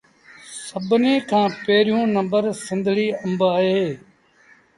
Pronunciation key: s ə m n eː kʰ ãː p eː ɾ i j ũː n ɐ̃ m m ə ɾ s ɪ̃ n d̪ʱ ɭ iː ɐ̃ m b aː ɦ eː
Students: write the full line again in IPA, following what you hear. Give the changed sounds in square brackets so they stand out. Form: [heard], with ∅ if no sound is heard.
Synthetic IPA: s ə [b] n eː kʰ ãː p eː ɾ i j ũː n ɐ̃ m [b] ə ɾ s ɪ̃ n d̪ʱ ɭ iː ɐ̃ m b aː ɦ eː